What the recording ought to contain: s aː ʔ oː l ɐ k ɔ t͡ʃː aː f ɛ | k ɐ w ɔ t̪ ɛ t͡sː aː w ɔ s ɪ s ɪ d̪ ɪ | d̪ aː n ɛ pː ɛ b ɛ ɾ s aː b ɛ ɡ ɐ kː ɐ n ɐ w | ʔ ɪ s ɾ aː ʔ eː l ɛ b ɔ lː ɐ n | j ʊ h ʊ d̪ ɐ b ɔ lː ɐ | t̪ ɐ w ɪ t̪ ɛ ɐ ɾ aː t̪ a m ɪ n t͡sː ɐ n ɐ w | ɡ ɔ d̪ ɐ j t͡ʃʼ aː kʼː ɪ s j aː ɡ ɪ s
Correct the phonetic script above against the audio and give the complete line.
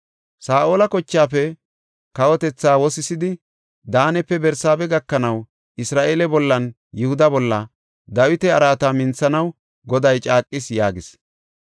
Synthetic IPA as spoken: s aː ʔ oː l ɐ k ɔ t͡ʃː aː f ɛ | k ɐ w ɔ t̪ ɛ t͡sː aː w ɔ s ɪ s ɪ d̪ ɪ | d̪ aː n ɛ pː ɛ b ɛ ɾ s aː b ɛ ɡ ɐ kː ɐ n ɐ w | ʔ ɪ s ɾ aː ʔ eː l ɛ b ɔ lː ɐ n | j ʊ h ʊ d̪ ɐ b ɔ lː ɐ | d̪ ɐ w ɪ t̪ ɛ ɐ ɾ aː t̪ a m ɪ n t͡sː ɐ n ɐ w | ɡ ɔ d̪ ɐ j t͡ʃʼ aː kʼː ɪ s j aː ɡ ɪ s